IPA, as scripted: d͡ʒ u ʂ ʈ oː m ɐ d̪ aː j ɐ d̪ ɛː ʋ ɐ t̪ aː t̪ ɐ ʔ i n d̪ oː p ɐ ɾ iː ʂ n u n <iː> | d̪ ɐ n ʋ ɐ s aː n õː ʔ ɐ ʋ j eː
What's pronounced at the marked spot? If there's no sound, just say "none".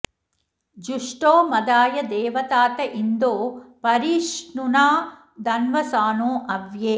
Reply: aː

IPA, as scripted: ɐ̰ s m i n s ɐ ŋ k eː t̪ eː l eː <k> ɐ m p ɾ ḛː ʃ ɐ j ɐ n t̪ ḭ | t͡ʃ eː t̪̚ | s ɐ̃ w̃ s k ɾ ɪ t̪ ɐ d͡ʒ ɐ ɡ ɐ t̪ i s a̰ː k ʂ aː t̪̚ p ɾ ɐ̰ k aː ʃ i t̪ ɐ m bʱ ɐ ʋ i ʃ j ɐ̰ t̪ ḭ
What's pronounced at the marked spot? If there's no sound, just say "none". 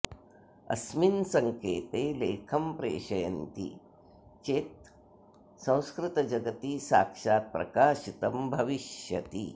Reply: kʰ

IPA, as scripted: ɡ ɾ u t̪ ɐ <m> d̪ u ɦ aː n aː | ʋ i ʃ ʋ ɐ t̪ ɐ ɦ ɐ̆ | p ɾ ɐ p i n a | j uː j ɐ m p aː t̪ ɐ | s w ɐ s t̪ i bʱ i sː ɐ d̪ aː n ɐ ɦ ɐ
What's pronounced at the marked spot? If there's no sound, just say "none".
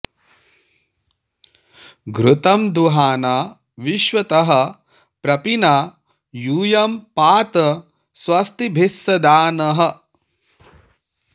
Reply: m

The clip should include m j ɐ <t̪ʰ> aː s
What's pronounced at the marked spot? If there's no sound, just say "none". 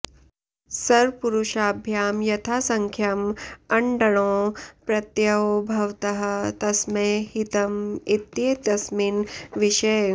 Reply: t̪ʰ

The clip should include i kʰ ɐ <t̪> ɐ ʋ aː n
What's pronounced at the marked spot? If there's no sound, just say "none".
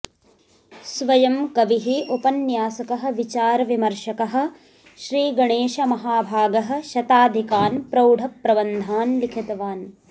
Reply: t̪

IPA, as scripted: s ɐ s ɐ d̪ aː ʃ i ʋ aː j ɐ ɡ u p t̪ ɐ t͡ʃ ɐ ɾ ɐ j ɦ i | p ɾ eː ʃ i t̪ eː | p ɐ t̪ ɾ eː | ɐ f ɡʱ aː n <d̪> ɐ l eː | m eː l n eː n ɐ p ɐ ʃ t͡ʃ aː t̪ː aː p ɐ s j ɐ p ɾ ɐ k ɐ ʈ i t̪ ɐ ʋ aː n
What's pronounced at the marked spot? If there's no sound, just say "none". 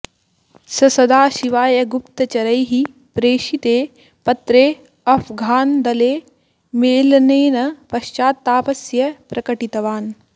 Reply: d̪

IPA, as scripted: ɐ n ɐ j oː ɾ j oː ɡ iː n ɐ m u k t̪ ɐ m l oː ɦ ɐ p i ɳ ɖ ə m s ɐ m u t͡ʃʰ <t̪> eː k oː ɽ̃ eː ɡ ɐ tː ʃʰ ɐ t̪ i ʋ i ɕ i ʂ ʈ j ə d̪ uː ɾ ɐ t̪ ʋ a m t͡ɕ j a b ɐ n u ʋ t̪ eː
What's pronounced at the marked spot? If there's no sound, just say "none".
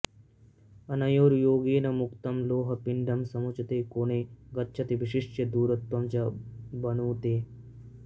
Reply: t̪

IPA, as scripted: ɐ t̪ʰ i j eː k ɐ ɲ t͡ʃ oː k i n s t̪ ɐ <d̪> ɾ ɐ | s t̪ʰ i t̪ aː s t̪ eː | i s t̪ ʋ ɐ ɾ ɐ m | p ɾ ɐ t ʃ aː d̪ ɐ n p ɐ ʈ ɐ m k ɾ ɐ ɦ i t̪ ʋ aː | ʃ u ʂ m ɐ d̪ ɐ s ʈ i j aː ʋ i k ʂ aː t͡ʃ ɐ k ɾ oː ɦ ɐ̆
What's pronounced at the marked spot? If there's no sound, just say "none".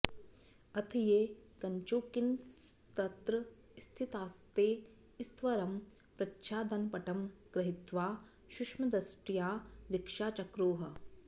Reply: t̪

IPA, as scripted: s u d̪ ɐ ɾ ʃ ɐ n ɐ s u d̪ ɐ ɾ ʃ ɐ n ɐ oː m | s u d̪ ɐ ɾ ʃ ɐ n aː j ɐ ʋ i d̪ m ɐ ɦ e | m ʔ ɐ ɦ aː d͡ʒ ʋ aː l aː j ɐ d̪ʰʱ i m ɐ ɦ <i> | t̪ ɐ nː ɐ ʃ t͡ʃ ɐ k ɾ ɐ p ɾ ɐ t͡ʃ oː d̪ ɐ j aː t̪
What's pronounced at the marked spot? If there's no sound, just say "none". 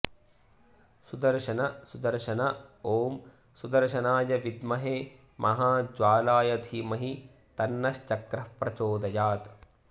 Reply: i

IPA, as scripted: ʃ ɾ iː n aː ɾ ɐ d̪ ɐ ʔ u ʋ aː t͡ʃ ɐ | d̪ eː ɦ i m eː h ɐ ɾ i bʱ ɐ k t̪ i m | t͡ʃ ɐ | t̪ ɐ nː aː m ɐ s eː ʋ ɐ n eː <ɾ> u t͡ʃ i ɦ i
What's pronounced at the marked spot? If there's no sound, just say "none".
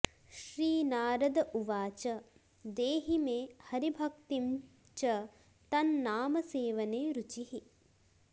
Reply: ɾ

